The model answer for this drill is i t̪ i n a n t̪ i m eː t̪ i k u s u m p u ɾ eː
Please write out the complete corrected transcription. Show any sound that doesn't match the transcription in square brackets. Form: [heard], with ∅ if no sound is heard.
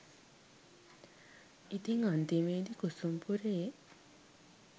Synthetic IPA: i t̪ i [ŋ] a n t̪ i m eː [d̪] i k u s u m p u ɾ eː